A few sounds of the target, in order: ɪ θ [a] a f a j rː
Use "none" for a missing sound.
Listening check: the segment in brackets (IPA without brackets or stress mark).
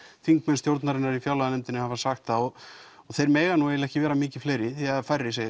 i